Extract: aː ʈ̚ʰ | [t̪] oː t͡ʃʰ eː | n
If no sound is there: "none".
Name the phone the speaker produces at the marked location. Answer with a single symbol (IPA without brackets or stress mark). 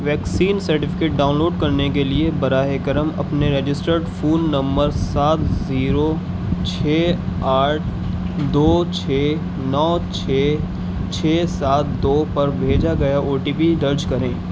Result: d̪